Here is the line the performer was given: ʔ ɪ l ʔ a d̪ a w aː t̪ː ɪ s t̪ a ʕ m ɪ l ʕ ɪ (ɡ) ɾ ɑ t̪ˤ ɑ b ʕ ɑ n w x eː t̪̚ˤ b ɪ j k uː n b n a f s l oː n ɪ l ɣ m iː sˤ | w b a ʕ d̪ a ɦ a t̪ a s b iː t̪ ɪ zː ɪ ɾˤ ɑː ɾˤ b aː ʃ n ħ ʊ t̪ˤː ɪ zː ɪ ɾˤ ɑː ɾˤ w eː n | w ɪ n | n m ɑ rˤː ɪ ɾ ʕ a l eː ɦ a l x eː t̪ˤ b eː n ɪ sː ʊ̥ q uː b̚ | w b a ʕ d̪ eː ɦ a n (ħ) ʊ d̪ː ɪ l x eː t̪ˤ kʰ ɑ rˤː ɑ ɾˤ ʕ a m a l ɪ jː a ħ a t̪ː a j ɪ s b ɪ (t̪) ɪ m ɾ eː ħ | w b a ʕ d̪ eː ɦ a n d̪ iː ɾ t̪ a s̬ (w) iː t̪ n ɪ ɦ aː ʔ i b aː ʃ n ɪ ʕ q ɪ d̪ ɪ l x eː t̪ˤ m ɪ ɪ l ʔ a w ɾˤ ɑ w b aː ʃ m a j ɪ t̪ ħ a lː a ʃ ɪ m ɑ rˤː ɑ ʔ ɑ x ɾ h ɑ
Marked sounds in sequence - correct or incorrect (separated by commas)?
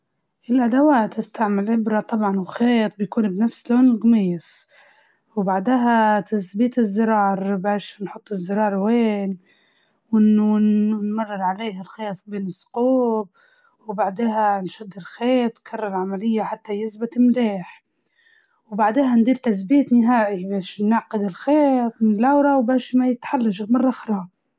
incorrect, incorrect, correct, incorrect